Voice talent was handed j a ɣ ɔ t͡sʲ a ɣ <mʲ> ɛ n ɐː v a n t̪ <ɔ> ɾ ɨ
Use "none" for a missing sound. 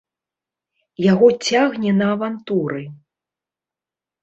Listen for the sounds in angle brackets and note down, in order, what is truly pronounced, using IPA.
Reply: nʲ, u

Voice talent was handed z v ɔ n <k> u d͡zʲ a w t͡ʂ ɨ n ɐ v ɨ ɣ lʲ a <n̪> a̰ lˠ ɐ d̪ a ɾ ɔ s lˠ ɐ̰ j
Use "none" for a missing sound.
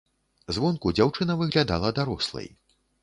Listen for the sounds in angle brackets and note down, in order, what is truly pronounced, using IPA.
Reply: k, d̪

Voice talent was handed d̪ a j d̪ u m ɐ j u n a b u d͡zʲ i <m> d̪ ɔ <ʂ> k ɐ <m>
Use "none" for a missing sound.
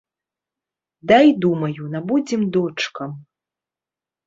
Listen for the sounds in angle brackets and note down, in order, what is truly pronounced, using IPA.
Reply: m, t͡ʂ, m

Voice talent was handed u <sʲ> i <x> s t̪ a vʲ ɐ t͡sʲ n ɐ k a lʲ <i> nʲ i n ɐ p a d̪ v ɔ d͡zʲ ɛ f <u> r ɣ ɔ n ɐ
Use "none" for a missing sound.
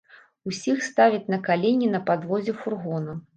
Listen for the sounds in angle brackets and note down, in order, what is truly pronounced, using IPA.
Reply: sʲ, x, e, u

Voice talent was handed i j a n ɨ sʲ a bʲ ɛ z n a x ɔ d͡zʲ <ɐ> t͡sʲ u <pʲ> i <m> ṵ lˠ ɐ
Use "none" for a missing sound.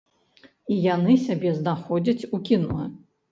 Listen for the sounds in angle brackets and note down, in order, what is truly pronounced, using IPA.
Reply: ɐ, kʲ, n

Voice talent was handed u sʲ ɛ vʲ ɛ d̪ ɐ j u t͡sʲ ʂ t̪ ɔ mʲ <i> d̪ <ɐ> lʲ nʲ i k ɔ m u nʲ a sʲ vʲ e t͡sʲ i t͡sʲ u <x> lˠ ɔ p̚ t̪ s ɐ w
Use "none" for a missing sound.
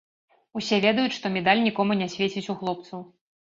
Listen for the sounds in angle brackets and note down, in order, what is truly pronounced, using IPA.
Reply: ɛ, a, x

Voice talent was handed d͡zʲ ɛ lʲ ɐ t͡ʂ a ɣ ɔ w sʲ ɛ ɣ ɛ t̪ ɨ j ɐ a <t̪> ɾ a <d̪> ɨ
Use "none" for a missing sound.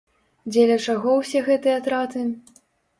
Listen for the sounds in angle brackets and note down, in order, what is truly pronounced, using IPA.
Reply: t̪, t̪

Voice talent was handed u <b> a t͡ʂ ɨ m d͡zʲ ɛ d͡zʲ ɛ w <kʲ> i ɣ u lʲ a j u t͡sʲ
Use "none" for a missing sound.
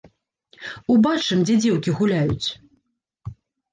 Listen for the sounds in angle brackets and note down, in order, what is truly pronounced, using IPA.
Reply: b, kʲ

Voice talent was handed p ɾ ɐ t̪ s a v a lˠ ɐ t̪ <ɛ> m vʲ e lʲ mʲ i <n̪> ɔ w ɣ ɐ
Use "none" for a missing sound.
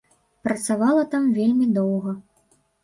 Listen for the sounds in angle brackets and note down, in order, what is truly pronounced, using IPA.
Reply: a, d̪

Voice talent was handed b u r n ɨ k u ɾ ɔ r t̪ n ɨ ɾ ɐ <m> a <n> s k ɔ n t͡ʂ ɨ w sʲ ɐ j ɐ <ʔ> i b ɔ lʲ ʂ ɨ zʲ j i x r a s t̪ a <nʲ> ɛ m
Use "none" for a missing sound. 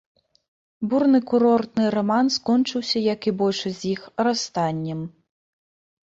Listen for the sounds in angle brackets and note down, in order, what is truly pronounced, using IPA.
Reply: m, n, k, nʲː

